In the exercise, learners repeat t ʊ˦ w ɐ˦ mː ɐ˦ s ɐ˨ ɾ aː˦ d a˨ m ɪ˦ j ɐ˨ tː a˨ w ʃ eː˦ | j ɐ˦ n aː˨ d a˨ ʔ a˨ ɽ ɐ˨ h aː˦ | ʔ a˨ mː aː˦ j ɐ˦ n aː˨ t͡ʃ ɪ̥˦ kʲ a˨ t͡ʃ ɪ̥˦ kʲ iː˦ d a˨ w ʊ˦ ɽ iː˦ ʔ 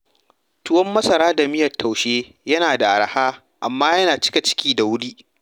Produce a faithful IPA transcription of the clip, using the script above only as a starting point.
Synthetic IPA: t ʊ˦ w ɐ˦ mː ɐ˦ s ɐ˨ ɾ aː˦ d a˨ m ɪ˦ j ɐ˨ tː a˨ w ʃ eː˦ | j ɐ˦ n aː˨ d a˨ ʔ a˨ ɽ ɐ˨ h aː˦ | ʔ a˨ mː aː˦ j ɐ˦ n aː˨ t͡ʃ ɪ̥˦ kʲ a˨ t͡ʃ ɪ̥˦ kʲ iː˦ d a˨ w ʊ˦ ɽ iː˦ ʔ